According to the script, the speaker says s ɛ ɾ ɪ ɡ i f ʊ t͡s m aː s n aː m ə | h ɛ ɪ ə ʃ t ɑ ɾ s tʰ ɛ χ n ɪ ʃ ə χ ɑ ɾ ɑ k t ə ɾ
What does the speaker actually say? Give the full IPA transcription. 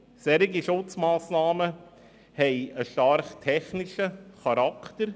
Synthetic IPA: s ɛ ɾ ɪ ɡ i ʃ ʊ t͡s m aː s n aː m ə | h ɛ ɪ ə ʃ t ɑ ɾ χ tʰ ɛ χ n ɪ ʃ ə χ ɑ ɾ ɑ k t ə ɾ